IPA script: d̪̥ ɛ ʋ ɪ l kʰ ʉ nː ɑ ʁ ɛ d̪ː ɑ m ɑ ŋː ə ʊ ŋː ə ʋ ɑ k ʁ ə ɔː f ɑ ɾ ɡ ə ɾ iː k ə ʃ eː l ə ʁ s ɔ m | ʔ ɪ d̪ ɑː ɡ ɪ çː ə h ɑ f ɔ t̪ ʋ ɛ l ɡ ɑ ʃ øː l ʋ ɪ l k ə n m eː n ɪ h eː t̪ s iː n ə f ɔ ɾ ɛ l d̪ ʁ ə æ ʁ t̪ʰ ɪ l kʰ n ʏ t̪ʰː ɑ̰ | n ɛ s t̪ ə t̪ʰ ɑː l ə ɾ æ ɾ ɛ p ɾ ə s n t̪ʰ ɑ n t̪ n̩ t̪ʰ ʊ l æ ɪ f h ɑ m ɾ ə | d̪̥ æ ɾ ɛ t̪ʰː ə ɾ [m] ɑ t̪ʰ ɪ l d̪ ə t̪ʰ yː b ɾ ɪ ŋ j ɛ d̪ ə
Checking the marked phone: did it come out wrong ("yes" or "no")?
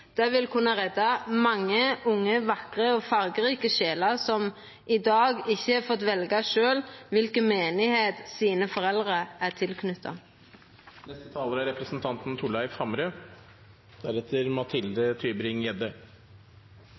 no